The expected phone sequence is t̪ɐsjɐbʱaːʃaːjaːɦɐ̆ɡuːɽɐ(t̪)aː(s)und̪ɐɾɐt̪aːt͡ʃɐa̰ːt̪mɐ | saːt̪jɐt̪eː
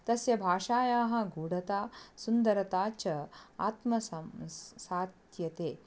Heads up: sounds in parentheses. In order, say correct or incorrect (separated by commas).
correct, correct